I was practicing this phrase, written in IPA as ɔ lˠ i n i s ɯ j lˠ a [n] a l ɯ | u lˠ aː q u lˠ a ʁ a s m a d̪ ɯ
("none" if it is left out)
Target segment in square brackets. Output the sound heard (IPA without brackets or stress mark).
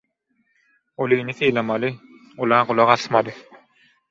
m